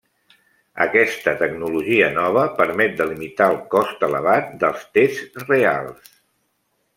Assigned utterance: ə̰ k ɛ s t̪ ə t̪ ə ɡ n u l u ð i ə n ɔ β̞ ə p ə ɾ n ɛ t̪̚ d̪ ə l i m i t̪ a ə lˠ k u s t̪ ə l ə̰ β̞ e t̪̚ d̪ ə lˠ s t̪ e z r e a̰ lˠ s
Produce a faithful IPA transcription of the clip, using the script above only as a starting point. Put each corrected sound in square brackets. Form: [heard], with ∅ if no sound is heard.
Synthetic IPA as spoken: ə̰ k ɛ s t̪ ə t̪ ə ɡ n u l u [ʒ] i ə n ɔ β̞ ə p ə ɾ [m] ɛ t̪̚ d̪ ə l i m i t̪ a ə lˠ k [ɔ] s t̪ ə l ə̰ β̞ [a] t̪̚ d̪ ə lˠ s t̪ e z r e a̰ lˠ s